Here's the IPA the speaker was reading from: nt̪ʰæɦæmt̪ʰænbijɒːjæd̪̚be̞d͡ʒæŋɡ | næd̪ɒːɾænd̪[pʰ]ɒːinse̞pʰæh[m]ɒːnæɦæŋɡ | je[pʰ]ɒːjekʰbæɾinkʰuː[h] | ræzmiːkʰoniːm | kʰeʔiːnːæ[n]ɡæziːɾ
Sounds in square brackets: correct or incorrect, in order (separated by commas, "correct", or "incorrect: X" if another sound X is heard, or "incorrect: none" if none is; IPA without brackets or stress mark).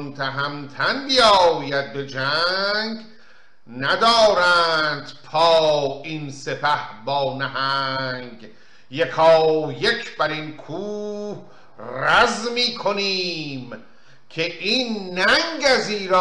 correct, incorrect: b, incorrect: kʰ, correct, incorrect: ŋ